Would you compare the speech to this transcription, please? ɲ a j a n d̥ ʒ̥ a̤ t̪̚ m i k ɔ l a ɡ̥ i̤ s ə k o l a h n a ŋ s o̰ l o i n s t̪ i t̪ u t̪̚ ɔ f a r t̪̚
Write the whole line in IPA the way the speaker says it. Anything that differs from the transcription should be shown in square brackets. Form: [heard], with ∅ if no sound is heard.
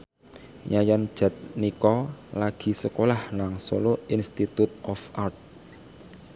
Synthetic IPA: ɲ a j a n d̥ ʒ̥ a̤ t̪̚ [n] i k ɔ l a ɡ̥ i̤ s ə k o l a h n a ŋ s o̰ l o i n s t̪ i t̪ u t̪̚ ɔ f a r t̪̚